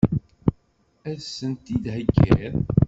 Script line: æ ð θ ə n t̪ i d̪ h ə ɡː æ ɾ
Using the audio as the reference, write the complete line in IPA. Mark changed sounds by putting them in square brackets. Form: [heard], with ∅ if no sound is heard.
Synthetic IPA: æ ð [s] ə n t̪ i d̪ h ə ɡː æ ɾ